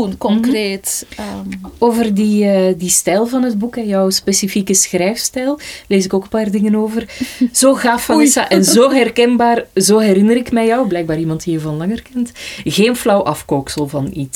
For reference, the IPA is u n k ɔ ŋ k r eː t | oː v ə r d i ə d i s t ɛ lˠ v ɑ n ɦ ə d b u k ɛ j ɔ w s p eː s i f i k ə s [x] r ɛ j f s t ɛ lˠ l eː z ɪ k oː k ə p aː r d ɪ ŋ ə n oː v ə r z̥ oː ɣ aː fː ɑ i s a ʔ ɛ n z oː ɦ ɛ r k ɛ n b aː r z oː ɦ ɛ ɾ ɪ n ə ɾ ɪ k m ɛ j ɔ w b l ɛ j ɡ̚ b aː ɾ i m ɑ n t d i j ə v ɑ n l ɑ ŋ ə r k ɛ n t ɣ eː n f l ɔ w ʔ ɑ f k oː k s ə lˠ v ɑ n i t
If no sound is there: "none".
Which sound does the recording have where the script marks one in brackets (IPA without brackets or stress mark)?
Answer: x